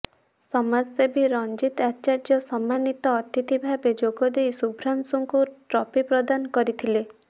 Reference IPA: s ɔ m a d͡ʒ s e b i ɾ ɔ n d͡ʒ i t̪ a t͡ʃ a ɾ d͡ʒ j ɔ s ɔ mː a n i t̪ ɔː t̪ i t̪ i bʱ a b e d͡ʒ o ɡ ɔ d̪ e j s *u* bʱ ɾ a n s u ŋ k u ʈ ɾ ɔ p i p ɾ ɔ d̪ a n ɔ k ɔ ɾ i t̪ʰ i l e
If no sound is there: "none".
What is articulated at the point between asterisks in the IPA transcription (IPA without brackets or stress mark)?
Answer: u